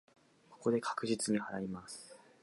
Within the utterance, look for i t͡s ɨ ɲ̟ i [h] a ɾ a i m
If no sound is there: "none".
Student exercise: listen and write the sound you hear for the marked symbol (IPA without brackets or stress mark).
h